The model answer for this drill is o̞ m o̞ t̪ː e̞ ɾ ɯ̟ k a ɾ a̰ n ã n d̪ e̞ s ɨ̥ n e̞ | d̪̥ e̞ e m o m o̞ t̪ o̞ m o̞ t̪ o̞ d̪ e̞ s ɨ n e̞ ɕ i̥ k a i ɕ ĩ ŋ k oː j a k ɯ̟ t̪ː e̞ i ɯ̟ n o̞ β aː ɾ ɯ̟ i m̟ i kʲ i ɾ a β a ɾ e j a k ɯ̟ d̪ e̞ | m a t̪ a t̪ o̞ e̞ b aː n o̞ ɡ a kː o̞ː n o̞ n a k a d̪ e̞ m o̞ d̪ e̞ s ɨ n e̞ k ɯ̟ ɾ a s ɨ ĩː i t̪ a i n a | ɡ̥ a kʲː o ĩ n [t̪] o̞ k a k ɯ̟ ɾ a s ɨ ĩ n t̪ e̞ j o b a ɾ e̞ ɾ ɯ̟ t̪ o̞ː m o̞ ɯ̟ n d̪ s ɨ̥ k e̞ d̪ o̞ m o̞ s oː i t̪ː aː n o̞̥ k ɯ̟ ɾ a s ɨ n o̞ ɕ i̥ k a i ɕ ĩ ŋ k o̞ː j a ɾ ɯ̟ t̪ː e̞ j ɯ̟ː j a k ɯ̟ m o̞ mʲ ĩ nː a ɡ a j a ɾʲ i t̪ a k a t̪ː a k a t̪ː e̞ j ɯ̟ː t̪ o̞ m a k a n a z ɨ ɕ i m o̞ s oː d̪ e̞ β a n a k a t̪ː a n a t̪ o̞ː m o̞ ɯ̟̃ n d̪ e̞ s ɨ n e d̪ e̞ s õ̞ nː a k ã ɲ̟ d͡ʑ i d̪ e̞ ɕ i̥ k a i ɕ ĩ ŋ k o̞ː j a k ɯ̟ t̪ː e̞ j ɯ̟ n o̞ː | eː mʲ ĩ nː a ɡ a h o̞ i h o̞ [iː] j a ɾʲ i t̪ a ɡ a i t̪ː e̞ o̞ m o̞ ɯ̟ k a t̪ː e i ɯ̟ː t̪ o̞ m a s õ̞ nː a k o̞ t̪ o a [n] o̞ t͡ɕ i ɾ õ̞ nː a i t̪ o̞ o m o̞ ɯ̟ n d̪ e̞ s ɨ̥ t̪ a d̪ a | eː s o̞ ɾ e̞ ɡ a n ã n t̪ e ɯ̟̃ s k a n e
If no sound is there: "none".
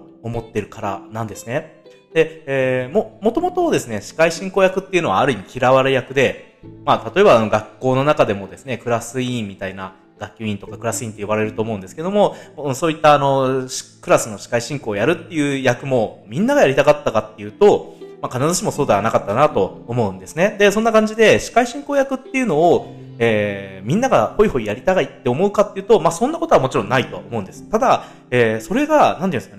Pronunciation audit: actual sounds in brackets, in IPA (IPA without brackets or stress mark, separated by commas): t̪, i, m